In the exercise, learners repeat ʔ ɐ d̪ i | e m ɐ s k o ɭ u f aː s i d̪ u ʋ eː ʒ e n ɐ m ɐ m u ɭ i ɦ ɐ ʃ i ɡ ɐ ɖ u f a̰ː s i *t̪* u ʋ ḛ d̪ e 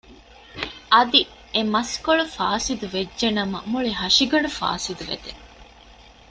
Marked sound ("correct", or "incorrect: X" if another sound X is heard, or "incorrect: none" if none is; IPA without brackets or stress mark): incorrect: d̪